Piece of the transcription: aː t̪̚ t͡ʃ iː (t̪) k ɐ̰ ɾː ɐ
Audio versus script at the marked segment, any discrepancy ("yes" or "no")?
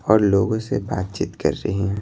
no